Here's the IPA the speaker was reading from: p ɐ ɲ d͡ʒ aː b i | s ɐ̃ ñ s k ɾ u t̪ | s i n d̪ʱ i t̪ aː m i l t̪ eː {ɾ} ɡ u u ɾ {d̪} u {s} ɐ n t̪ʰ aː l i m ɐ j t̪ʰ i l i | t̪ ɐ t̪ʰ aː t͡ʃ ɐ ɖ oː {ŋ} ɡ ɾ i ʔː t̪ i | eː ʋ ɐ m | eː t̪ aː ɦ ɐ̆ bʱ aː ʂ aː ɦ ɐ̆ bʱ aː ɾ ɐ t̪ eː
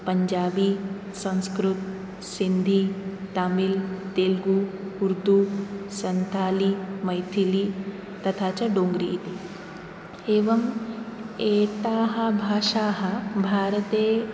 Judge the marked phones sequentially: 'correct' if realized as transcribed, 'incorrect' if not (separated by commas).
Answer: incorrect, correct, correct, correct